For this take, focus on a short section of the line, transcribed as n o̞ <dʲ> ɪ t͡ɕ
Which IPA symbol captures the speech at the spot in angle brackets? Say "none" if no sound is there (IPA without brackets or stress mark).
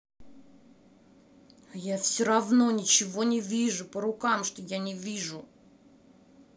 nʲ